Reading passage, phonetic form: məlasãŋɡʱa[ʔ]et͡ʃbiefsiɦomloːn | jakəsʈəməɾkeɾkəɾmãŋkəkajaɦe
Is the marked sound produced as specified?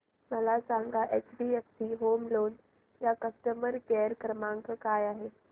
yes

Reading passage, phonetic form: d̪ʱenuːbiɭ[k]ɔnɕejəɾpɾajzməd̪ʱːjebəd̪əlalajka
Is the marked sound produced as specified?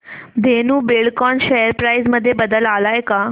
yes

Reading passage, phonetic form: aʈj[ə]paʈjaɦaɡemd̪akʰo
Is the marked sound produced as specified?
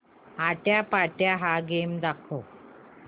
no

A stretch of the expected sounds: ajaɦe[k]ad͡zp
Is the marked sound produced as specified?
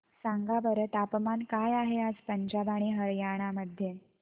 no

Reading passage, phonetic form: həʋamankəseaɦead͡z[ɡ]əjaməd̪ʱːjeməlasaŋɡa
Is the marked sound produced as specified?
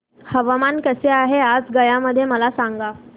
yes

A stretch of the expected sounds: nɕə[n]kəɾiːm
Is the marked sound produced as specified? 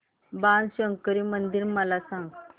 no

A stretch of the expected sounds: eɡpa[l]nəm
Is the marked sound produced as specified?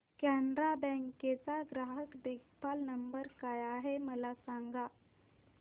yes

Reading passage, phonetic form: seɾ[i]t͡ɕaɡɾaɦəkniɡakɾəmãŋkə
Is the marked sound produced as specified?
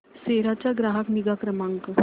no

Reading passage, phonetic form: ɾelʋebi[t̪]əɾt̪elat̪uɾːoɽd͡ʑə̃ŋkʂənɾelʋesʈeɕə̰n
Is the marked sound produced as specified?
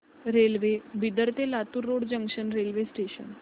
no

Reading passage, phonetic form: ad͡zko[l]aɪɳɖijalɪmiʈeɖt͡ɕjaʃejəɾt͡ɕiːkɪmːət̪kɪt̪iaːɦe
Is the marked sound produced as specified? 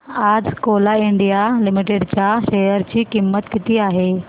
yes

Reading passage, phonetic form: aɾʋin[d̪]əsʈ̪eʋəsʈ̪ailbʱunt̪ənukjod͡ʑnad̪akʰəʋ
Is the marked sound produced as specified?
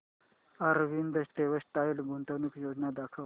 yes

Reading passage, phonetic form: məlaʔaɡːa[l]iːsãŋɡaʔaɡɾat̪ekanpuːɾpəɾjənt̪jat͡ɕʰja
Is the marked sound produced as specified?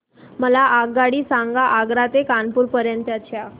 no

